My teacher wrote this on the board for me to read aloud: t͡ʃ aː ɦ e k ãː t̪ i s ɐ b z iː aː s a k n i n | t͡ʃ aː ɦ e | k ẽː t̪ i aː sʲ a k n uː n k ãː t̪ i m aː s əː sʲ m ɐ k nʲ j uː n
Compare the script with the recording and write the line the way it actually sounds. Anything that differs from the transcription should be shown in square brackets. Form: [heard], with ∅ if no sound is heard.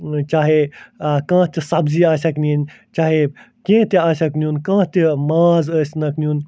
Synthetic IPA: t͡ʃ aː ɦ e k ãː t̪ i s ɐ b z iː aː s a k n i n | t͡ʃ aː ɦ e | k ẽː t̪ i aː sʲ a k n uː n k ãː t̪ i m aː [z] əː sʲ [n] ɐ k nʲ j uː n